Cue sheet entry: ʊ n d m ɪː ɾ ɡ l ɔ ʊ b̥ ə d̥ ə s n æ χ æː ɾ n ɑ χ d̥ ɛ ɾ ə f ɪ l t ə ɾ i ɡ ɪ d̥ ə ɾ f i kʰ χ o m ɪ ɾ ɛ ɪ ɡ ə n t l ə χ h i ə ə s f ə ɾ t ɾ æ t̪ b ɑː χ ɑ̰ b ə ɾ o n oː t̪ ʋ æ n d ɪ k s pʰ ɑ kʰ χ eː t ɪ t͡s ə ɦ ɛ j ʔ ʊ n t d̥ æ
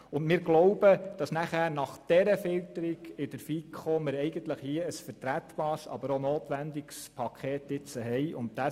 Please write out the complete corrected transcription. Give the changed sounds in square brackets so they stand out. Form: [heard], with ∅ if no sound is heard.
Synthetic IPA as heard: ʊ n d m ɪː ɾ ɡ l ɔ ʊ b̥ ə d̥ [ɑ] s n æ χ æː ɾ n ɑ χ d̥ ɛ ɾ ə f ɪ l t ə ɾ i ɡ ɪ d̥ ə ɾ f i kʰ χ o m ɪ ɾ ɛ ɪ ɡ ə n t l ə χ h i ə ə s f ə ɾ t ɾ æ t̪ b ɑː [s] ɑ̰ b ə ɾ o n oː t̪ ʋ æ n d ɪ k s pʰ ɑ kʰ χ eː t ɪ t͡s ə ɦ ɛ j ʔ ʊ n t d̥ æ

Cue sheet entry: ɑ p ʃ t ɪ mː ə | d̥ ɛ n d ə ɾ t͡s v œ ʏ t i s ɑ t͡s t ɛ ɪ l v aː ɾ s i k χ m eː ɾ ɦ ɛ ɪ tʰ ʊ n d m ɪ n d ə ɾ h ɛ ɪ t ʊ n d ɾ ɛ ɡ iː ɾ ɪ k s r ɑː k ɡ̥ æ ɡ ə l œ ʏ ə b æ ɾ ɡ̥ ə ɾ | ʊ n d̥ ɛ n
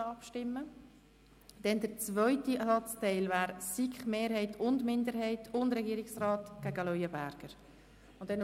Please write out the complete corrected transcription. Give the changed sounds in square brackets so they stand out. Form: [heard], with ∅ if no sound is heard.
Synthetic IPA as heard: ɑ p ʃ t ɪ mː ə | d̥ ɛ n d ə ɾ t͡s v œ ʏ t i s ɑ t͡s t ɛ ɪ l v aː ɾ s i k χ m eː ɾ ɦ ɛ ɪ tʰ ʊ n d m ɪ n d ə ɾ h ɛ ɪ t ʊ n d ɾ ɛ ɡ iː ɾ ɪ k s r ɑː [t] ɡ̥ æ ɡ ə l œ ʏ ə b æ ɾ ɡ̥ ə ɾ | ʊ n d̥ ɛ n

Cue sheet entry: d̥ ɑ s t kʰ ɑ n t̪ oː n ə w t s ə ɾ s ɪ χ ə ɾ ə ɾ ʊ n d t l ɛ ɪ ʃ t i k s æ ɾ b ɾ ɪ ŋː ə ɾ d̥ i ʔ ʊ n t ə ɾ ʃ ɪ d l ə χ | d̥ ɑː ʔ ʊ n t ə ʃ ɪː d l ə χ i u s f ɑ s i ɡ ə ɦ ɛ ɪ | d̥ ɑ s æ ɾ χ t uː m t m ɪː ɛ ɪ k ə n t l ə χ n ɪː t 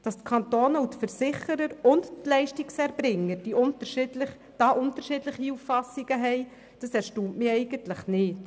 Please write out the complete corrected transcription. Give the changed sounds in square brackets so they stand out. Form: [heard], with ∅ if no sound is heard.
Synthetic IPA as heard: d̥ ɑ s t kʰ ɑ n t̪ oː n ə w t [f] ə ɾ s ɪ χ ə ɾ ə ɾ ʊ n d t l ɛ ɪ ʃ t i k s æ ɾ b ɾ ɪ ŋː ə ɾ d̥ i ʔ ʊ n t ə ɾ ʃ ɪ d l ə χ | d̥ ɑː ʔ ʊ n t ə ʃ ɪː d l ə χ i u [f] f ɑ s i ɡ ə ɦ ɛ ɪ | d̥ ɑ s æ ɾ [ʃ] t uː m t m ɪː ɛ ɪ [ɡ] ə n t l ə χ n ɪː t

